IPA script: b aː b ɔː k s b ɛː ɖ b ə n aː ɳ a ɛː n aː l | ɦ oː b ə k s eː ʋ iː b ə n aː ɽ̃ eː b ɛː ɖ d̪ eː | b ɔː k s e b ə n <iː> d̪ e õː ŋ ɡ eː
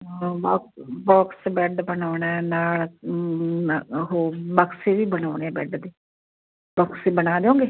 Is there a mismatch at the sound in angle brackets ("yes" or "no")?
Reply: yes